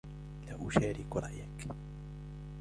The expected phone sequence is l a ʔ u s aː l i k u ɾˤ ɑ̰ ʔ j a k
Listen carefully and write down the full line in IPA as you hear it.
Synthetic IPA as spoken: l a ʔ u ʃ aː ɾ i k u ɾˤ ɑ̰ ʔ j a k